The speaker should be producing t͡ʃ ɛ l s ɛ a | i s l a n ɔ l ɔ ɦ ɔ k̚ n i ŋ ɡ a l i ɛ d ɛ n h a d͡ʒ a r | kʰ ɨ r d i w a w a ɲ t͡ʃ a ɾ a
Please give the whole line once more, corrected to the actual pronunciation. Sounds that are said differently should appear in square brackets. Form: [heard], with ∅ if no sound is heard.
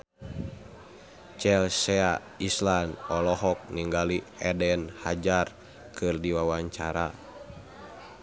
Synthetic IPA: t͡ʃ ɛ l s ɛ a | i s l a n ɔ l ɔ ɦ ɔ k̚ n i ŋ ɡ a l i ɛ d ɛ n h a d͡ʒ a r | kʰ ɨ r d i w a w a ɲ t͡ʃ a ɾ a